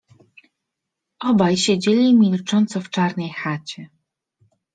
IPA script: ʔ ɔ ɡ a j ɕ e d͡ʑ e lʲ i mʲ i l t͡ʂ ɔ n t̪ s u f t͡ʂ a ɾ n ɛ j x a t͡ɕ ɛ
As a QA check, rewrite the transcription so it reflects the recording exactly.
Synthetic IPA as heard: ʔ ɔ b a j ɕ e d͡ʑ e lʲ i mʲ i l t͡ʂ ɔ n t̪ s ɔ f t͡ʂ a ɾ n ɛ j x a t͡ɕ ɛ